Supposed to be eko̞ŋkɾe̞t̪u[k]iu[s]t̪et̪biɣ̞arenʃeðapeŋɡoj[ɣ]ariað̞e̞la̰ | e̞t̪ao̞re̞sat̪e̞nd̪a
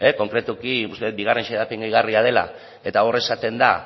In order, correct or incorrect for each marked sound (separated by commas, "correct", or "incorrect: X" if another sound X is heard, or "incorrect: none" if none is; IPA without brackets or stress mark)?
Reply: correct, correct, correct